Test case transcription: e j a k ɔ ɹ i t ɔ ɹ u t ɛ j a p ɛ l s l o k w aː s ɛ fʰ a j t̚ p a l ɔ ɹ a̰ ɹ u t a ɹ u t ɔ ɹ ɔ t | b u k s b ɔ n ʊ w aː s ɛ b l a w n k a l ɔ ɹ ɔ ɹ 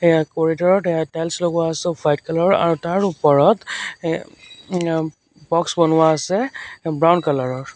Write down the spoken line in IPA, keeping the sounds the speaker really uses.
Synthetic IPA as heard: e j a k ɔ ɹ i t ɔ ɹ ɔ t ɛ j a t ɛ l s l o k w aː s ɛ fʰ a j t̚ k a l ɔ ɹ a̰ ɹ u t a ɹ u p ɔ ɹ ɔ t | b ɔ k s b ɔ n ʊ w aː s ɛ b ɹ a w n k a l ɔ ɹ ɔ ɹ